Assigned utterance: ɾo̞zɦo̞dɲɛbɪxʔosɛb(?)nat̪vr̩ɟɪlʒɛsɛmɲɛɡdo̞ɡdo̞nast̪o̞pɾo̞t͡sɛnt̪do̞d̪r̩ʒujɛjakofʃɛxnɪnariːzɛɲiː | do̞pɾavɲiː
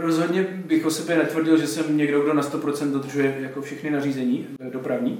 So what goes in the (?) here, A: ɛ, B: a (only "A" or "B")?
A